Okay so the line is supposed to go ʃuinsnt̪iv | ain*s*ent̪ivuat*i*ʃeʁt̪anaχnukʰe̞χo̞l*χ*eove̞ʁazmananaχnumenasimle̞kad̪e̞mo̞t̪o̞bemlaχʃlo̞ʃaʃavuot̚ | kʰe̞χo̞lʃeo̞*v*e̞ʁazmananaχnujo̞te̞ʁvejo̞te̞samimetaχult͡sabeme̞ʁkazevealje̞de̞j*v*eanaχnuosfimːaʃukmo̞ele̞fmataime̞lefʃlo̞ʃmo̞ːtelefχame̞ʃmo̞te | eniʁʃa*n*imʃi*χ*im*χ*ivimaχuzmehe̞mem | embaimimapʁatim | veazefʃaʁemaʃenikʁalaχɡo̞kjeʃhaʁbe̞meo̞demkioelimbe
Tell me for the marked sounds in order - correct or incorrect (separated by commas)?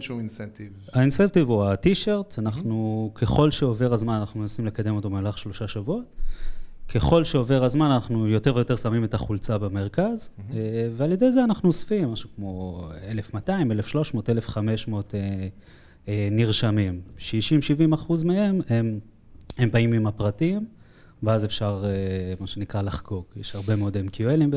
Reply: correct, correct, incorrect, correct, incorrect, incorrect, incorrect, incorrect